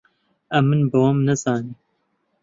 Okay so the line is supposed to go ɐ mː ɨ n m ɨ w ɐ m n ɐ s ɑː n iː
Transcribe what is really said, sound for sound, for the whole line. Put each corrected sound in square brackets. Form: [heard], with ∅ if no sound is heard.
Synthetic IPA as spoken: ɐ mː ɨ n [b] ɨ w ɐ m n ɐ [z] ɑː n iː

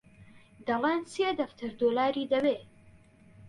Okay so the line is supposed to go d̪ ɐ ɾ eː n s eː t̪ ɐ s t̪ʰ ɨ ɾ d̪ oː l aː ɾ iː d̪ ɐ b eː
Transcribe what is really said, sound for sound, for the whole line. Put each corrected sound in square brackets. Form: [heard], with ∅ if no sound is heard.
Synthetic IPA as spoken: d̪ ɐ [l] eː n s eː [d̪] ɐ [f] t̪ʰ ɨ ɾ d̪ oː l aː ɾ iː d̪ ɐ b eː

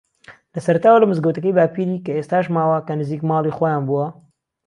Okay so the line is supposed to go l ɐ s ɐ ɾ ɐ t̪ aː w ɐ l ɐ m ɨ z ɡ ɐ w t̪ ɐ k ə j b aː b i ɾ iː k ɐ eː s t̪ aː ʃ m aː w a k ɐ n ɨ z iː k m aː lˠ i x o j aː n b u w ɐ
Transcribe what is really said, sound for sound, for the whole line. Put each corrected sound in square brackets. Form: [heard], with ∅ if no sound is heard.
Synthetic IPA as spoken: l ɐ s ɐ ɾ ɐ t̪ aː w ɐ l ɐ m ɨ z ɡ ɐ w t̪ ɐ k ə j b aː [p] i ɾ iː k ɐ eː s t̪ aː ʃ m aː w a k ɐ n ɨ z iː k m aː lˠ i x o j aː n b u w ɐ

